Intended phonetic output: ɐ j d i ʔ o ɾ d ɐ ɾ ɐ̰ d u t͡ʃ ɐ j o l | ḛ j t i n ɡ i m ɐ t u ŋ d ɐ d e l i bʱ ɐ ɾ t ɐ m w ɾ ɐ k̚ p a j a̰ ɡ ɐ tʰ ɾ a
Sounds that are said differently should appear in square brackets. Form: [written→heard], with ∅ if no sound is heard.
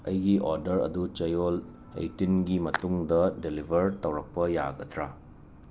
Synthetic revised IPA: ɐ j [d→ɡ] i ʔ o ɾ d ɐ ɾ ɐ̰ d u t͡ʃ ɐ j o l | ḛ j t i n ɡ i m ɐ t u ŋ d ɐ d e l i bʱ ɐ ɾ t ɐ [m→∅] w ɾ ɐ k̚ p [a→ɐ] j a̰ ɡ ɐ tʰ ɾ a